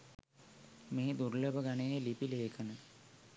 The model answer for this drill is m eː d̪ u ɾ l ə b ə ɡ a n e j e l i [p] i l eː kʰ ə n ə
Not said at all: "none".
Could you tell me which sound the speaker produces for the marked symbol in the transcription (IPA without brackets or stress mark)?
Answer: p